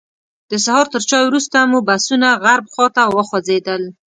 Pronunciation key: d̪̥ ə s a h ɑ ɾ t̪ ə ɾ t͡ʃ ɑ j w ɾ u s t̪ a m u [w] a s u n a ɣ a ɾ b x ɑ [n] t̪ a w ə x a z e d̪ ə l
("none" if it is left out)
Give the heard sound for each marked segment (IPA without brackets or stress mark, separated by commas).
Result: b, none